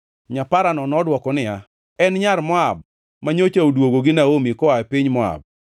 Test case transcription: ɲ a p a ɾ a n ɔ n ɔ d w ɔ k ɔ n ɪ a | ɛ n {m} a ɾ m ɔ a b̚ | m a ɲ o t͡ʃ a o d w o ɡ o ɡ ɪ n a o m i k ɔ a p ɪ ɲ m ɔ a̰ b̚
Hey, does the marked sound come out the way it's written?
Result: no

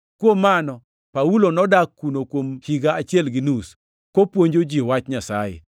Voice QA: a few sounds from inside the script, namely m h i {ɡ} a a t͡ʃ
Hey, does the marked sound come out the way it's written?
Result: yes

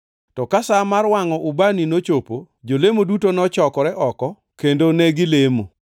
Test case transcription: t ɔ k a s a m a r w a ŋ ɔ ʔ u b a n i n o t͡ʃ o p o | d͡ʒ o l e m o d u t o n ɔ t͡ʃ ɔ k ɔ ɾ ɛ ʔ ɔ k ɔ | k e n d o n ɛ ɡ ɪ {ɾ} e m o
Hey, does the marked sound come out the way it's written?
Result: no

